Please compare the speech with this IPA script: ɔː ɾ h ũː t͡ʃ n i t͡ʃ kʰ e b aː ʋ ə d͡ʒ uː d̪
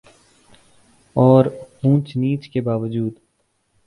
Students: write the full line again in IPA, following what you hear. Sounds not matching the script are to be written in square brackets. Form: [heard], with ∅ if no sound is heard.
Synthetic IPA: ɔː ɾ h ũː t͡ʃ n [iː] t͡ʃ [k] e b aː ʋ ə d͡ʒ uː d̪